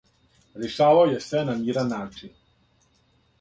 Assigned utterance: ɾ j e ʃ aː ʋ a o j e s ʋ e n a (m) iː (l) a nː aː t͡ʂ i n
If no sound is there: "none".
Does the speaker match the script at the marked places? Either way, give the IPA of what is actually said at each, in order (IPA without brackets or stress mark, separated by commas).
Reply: m, ɾ